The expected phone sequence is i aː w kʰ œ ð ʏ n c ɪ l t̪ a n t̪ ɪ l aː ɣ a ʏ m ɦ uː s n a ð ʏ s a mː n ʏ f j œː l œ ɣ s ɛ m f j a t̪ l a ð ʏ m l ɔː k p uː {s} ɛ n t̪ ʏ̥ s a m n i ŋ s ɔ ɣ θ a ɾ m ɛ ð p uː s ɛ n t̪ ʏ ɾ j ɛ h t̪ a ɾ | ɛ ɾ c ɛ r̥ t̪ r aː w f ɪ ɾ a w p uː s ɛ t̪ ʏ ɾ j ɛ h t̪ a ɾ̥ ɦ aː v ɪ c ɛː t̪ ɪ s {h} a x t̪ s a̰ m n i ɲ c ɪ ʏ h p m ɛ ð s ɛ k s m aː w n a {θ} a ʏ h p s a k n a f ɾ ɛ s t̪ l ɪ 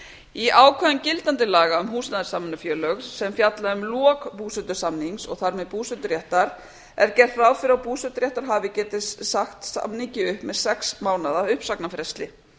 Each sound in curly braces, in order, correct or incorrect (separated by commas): correct, incorrect, incorrect